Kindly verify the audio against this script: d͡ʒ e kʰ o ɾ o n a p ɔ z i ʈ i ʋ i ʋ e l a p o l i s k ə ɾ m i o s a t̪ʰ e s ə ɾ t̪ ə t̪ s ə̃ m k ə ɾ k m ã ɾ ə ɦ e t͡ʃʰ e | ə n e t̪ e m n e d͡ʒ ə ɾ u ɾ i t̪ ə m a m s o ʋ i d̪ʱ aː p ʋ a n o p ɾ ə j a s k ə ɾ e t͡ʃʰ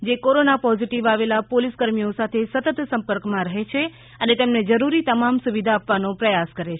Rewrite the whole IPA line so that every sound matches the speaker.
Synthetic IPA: d͡ʒ e k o ɾ o n a p ɔ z i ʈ i ʋ a ʋ e l a p o l i s k ə ɾ m i o s a t̪ʰ e s ə t̪ ə t̪ s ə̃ m p ə ɾ k m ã ɾ ə ɦ e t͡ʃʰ e | ə n e t̪ e m n e d͡ʒ ə ɾ u ɾ i t̪ ə m a m s u ʋ i d̪ʱ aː p ʋ a n o p ɾ ə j a s k ə ɾ e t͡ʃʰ

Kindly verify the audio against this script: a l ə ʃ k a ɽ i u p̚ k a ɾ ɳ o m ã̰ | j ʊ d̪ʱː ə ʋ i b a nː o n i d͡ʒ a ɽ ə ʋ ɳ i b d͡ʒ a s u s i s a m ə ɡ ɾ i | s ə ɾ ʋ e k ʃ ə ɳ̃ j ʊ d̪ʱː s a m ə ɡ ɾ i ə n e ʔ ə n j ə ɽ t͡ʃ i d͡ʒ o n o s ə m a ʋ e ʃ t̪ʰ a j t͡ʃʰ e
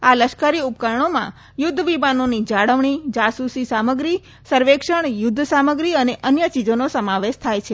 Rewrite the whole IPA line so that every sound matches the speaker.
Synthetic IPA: a l ə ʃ k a ɾ i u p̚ k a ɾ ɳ o m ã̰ | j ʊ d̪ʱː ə ʋ i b a n o n i d͡ʒ a ɽ ə ʋ ɳ i d͡ʒ a s u s i s a m ə ɡ ɾ i | s ə ɾ ʋ e k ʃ ə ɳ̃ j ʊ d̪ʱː s a m ə ɡ ɾ i ə n e ʔ ə n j ə t͡ʃ i d͡ʒ o n o s ə m a ʋ e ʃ t̪ʰ a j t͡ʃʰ e

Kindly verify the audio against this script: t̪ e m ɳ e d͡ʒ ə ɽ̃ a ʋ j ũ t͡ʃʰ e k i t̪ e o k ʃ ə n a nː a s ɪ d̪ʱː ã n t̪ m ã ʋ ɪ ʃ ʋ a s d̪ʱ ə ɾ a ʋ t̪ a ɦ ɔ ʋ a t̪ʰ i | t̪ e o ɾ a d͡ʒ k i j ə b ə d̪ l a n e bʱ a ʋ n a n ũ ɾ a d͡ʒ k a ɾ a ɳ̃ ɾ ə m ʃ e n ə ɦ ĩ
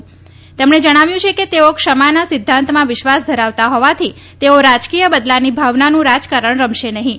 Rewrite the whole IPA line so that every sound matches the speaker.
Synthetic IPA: t̪ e m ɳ e d͡ʒ ə ɽ̃ a ʋ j ũ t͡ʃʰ e k e t̪ e o k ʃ ə m a n a s ɪ d̪ʱː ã n t̪ m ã ʋ ɪ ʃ ʋ a s d̪ʱ ə ɾ a ʋ t̪ a ɦ ɔ ʋ a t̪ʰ i | t̪ e o ɾ a d͡ʒ k i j ə b ə d̪ l a n i bʱ a ʋ n a n ũ ɾ a d͡ʒ k a ɾ ə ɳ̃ ɾ ə m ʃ e n ə ɦ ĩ

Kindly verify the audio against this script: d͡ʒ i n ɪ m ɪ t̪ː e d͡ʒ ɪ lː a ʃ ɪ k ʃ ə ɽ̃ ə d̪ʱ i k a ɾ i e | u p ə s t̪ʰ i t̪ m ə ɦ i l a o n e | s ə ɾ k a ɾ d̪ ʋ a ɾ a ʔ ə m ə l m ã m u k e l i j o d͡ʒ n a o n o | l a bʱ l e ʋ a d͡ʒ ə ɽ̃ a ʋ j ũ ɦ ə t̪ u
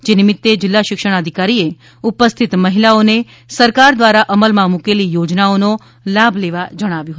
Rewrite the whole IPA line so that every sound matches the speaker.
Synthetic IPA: d͡ʒ e n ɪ m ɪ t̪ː e d͡ʒ ɪ lː a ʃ ɪ k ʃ ə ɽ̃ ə d̪ʱ i k a ɾ i e | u p ə s t̪ʰ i t̪ m ə ɦ i l a o n e | s ə ɾ k a ɾ d̪ ʋ a ɾ a ʔ ə m ə l m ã m u k e l i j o d͡ʒ n a o n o | l a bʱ l e ʋ a d͡ʒ ə ɽ̃ a ʋ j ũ ɦ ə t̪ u

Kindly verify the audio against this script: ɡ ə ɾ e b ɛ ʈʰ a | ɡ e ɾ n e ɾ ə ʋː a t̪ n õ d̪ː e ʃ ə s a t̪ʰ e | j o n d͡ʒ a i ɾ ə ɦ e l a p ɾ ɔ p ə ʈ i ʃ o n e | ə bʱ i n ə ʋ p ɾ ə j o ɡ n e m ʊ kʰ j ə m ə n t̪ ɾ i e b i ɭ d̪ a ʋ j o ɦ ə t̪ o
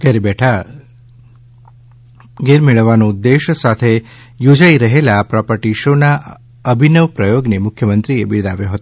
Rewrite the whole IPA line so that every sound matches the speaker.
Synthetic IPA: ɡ ə ɾ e b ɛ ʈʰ a | ɡ e ɾ m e ɭ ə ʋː a n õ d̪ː e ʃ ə s a t̪ʰ e | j o d͡ʒ a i ɾ ə ɦ e l a p ɾ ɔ p ə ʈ i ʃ o n a | ə bʱ i n ə ʋ p ɾ ə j o ɡ n e m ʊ kʰ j ə m ə n t̪ ɾ i e b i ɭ d̪ a ʋ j o ɦ ə t̪ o

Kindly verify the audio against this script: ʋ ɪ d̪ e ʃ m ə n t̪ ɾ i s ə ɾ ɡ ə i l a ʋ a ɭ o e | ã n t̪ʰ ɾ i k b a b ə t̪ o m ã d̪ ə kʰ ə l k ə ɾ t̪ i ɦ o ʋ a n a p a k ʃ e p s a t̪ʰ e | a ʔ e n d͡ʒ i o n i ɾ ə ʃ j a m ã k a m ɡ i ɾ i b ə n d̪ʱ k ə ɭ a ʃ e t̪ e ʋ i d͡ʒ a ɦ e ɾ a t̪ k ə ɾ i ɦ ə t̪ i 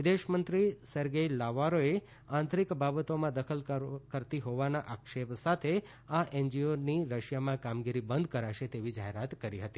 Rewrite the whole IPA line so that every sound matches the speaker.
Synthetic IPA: ʋ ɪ d̪ e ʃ m ə n t̪ ɾ i s ə ɾ ɡ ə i l a ʋ a ɾ o e | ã n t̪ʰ ɾ i k b a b ə t̪ o m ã d̪ ə kʰ ə l k ə ɾ t̪ i ɦ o ʋ a n a ʔ a k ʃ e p s a t̪ʰ e | a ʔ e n d͡ʒ i o n i ɾ ə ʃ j a m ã k a m ɡ i ɾ i b ə n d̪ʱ k ə ɾ a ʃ e t̪ e ʋ i d͡ʒ a ɦ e ɾ a t̪ k ə ɾ i ɦ ə t̪ i

